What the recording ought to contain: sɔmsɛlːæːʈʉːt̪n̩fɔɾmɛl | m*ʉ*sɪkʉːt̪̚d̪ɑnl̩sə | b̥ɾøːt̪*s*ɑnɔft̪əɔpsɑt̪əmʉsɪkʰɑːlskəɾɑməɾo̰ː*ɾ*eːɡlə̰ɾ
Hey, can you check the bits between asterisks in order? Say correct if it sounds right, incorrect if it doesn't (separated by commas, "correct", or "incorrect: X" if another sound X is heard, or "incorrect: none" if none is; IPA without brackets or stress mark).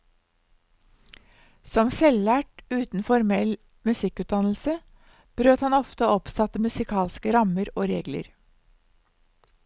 correct, incorrect: h, correct